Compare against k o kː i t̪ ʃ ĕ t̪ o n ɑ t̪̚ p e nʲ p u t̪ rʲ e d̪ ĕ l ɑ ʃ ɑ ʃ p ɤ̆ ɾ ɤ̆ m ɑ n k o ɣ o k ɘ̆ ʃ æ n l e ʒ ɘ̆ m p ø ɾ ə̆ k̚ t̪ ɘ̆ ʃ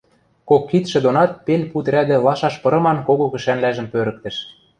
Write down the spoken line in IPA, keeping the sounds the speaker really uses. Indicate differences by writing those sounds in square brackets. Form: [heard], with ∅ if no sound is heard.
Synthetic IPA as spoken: k o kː i t̪ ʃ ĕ [d̪] o n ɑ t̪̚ p e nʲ p u t̪ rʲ [æ] d̪ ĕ l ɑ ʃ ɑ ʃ p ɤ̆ ɾ ɤ̆ m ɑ n k o ɣ o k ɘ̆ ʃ æ n l [æ] ʒ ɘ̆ m p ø ɾ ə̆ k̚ t̪ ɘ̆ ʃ